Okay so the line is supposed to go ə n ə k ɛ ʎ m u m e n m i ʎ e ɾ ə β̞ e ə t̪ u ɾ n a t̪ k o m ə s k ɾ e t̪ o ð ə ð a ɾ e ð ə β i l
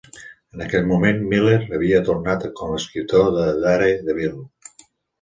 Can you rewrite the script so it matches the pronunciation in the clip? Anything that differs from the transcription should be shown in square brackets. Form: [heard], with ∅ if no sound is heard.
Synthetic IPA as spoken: ə n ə k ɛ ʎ m u m e n m i [l] e ɾ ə β̞ [i] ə t̪ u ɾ n a t̪ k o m ə s k ɾ [i] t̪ o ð ə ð a ɾ e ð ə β i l